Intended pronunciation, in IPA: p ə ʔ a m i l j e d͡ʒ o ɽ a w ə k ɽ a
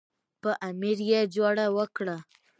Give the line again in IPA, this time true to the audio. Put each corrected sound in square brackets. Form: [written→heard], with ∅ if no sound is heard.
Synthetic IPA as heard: p ə ʔ a m i [l→ɾ] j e d͡ʒ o ɽ a w ə k ɽ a

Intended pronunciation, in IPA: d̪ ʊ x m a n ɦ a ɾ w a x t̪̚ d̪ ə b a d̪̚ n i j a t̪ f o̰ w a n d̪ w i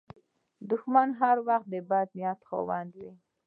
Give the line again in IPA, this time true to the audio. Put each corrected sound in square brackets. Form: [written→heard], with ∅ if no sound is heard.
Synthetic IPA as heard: d̪ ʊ x m a n ɦ a ɾ w a x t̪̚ d̪ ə b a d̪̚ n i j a t̪ [f→x] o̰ w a n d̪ w i

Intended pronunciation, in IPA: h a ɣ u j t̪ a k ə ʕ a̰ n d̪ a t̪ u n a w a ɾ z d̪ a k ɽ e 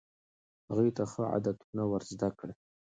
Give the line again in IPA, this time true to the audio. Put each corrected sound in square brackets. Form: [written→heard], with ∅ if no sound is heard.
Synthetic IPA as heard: h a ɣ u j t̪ a [k→x] ə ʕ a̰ [n→∅] d̪ a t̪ u n a w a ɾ z d̪ a k ɽ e

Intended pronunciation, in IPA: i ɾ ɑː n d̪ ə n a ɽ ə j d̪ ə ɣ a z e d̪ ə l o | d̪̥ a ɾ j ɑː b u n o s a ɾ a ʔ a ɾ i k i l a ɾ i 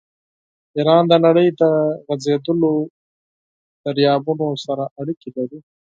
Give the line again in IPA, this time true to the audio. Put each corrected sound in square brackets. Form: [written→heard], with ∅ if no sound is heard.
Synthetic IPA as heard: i ɾ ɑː n d̪ ə n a ɽ ə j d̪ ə ɣ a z e d̪ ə l o | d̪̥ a ɾ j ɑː b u n o s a ɾ a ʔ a [ɾ→ɽ] i k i l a ɾ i

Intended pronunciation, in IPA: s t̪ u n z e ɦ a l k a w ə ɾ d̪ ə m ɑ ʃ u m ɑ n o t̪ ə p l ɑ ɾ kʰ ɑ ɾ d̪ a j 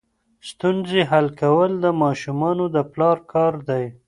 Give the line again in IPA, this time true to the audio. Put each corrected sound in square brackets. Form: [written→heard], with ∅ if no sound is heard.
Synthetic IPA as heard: s t̪ u n z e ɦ a l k a w ə [ɾ→l] d̪ ə m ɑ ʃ u m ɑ n o [t̪→d̪] ə p l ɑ ɾ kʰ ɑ ɾ d̪ a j

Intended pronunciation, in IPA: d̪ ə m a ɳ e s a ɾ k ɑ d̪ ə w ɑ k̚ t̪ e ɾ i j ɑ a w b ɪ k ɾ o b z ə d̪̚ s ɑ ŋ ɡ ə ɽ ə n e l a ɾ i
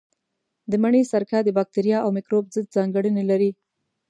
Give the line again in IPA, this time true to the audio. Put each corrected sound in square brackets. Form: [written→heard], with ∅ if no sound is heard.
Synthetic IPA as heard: d̪ ə m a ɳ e s a ɾ k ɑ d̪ ə [w→b] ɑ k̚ t̪ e ɾ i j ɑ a w [b→m] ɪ k ɾ o b z ə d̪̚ [s→z] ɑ ŋ ɡ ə ɽ ə n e l a ɾ i

